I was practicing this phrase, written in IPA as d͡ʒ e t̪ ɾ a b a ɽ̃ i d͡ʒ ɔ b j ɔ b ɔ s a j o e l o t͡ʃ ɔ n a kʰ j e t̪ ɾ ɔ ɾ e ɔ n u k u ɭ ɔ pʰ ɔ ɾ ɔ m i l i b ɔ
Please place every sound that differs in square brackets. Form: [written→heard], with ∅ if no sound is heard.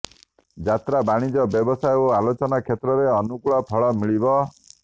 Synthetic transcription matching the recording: d͡ʒ [e→a] t̪ ɾ a b a ɽ̃ i d͡ʒ ɔ b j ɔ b ɔ s a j o [e→a] l o t͡ʃ ɔ n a kʰ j e t̪ ɾ ɔ ɾ e ɔ n u k u ɭ ɔ pʰ ɔ [ɾ→ɭ] ɔ m i [l→ɭ] i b ɔ